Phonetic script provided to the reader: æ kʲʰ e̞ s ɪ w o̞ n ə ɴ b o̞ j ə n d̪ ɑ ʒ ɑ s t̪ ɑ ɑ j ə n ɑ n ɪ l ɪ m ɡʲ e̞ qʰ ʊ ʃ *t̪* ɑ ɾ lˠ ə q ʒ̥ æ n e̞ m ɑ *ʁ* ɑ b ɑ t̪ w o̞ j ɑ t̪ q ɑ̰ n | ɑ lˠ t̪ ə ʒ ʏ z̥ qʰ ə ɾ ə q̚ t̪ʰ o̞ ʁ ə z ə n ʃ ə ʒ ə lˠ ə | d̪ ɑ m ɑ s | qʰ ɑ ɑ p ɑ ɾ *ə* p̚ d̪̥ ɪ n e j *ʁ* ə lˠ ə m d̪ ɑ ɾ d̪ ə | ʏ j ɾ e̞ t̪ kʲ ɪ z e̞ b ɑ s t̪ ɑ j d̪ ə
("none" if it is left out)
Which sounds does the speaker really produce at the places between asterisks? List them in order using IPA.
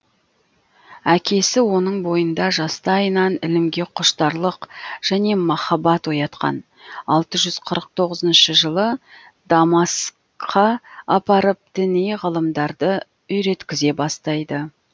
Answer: t̪, χ, ə, ʁ

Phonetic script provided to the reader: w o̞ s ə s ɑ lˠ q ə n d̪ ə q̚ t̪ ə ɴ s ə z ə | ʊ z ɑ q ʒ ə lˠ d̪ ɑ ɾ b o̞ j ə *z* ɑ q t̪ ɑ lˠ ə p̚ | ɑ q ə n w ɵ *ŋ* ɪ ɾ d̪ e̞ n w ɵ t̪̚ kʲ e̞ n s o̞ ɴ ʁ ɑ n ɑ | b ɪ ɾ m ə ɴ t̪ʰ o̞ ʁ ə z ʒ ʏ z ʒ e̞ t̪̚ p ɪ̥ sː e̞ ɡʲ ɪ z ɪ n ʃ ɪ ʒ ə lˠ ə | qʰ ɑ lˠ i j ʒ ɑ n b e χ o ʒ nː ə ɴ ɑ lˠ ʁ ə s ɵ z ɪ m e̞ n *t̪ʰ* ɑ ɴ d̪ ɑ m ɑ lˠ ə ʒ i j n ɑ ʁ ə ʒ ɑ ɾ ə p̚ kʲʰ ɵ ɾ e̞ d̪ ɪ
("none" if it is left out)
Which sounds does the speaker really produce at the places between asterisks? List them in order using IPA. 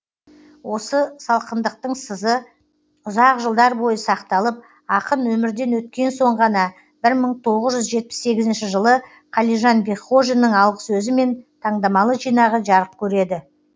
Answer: s, m, t̪ʰ

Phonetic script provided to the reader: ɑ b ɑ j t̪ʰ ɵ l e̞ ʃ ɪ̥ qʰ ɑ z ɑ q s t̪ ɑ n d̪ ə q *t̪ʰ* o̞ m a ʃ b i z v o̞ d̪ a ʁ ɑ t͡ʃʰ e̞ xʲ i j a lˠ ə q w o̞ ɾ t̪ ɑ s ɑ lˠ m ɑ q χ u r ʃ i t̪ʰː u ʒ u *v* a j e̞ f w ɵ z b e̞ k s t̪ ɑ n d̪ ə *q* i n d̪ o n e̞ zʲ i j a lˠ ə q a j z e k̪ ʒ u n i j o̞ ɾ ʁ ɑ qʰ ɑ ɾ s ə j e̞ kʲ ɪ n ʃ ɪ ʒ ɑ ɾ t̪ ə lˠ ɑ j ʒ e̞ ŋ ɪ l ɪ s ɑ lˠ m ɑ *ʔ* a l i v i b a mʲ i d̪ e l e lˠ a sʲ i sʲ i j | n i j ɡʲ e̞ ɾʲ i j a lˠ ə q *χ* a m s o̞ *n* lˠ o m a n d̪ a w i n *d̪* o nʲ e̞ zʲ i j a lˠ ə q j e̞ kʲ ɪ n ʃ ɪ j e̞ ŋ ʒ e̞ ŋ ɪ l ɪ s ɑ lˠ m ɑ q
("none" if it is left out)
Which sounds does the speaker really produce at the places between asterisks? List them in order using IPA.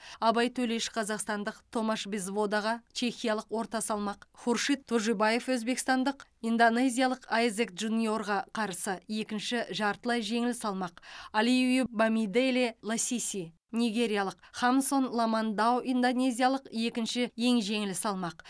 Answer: t̪ʰ, b, q, q, χ, n, d̪

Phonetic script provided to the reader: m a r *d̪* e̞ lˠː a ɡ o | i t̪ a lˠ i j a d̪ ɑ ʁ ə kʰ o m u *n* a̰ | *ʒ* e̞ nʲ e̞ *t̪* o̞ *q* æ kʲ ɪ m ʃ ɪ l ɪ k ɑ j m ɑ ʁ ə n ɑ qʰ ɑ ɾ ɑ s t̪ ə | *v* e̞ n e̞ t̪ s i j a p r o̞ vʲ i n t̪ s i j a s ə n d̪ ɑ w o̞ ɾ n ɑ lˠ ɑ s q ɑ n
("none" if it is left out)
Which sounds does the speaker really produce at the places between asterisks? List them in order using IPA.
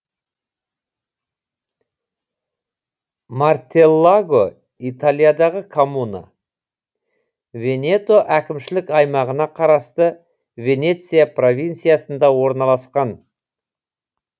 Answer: t̪, n, v, t̪, ʔ, v

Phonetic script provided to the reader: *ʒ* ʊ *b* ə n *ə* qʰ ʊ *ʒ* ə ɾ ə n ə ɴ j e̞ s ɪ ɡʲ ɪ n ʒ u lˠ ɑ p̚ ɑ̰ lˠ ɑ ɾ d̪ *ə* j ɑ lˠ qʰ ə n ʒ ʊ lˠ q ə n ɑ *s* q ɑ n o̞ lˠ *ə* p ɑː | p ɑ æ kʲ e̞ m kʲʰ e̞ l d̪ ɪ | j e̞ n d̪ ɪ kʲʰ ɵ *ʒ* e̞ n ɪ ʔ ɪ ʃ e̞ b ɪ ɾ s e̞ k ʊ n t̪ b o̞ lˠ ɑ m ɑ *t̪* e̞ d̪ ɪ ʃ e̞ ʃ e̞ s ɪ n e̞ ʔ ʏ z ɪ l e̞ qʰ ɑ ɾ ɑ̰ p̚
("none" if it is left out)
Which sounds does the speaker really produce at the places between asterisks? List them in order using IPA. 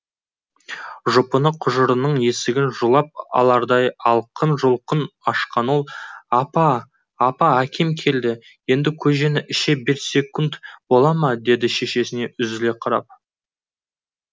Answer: ʒ, p, ə, ʒ, ɑ, ʃ, ɑ, ʒ, d̪

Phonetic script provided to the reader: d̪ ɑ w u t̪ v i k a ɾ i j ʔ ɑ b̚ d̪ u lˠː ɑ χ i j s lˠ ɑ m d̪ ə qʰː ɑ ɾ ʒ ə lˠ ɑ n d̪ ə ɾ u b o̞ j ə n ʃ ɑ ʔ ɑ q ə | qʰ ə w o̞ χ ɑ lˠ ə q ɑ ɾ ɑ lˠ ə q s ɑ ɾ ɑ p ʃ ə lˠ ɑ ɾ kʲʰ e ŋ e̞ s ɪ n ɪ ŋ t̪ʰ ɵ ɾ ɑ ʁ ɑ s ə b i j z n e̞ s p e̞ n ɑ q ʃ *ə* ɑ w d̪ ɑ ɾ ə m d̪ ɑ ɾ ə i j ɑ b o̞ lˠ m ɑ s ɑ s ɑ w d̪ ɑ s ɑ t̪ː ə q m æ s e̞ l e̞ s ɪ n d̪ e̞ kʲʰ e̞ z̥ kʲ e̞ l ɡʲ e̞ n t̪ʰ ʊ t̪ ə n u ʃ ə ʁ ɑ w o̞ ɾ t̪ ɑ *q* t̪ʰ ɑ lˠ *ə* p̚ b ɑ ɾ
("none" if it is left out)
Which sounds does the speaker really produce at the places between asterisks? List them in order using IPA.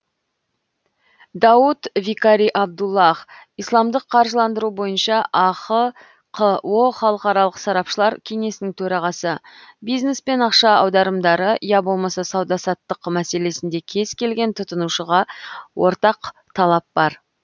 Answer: ɑ, q, ɑ

